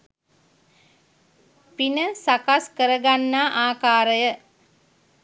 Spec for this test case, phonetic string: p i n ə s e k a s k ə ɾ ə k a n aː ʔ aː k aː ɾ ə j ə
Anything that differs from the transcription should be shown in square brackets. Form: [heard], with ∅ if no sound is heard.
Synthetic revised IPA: p i n ə s [a] k a s k ə ɾ ə [ɡ] a [nː] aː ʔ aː k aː ɾ ə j ə